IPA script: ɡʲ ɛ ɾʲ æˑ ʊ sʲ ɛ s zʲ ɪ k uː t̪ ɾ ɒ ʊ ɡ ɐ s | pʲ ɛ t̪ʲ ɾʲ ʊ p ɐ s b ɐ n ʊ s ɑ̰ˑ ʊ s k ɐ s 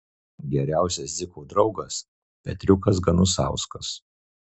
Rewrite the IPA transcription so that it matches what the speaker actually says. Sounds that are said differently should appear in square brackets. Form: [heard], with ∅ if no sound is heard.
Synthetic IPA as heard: ɡʲ ɛ ɾʲ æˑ ʊ sʲ ɛ s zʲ ɪ k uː [d̪] ɾ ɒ ʊ ɡ ɐ s | pʲ ɛ t̪ʲ ɾʲ ʊ [k] ɐ s [ɡ] ɐ n ʊ s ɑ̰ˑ ʊ s k ɐ s